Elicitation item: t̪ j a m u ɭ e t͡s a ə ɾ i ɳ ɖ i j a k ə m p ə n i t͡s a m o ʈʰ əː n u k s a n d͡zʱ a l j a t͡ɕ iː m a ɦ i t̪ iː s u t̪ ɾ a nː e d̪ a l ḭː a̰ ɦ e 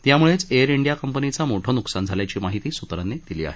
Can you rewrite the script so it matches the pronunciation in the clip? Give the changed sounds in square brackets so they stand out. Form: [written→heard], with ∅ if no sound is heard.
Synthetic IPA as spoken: t̪ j a m u ɭ e t͡s [a→e] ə ɾ i ɳ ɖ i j a k ə m p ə n i t͡s a m o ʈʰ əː n u k s a n d͡zʱ a l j a t͡ɕ iː m a ɦ i t̪ iː s u t̪ ɾ a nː e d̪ [a→i] l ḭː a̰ ɦ e